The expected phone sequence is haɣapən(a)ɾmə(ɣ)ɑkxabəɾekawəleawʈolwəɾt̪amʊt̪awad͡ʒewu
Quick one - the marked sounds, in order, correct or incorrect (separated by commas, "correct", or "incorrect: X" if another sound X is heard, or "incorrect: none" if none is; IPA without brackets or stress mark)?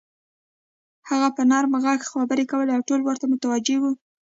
incorrect: ɑ, correct